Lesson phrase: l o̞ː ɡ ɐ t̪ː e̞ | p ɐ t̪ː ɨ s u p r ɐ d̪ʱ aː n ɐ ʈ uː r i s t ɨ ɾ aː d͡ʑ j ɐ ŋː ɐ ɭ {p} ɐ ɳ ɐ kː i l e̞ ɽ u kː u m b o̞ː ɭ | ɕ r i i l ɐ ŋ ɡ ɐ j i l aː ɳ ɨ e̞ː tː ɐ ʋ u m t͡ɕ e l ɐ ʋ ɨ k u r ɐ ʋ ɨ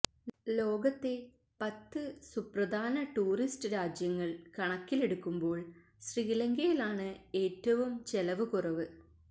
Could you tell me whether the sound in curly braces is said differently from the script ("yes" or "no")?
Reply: yes